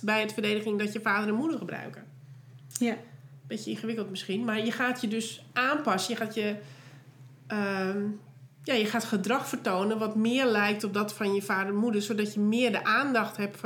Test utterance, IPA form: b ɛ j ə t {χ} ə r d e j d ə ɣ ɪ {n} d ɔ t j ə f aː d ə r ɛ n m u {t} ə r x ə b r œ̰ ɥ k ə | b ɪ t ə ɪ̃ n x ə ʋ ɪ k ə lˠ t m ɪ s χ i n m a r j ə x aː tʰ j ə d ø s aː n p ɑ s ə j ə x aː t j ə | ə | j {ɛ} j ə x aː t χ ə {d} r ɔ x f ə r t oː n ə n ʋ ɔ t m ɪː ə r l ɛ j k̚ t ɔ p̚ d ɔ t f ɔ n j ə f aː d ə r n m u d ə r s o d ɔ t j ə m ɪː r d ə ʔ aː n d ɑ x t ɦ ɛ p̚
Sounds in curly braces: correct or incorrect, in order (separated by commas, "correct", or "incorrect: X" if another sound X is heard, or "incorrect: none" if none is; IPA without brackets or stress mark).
incorrect: f, incorrect: ŋ, incorrect: d, incorrect: a, correct